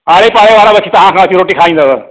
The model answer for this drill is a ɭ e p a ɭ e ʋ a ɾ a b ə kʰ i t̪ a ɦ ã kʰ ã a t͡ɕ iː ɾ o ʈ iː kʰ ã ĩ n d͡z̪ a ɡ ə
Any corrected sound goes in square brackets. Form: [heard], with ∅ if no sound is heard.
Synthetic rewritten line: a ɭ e p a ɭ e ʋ a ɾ a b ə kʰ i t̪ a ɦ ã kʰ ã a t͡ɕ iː ɾ o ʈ iː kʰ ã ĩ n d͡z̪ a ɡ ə